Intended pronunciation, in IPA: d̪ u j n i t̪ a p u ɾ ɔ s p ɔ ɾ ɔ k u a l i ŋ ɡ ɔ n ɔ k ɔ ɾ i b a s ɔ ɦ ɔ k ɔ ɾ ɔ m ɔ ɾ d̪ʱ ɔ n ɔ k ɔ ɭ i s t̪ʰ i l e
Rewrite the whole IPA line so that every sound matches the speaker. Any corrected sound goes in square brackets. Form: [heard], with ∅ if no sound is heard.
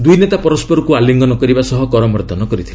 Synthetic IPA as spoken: d̪ u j n [e] t̪ a p [ɔ] ɾ ɔ s p ɔ ɾ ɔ k u a l i ŋ ɡ ɔ n ɔ k ɔ ɾ i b a s ɔ ɦ ɔ k ɔ ɾ ɔ m ɔ ɾ d̪ʱ ɔ n ɔ k ɔ [ɾ] i [∅] t̪ʰ i l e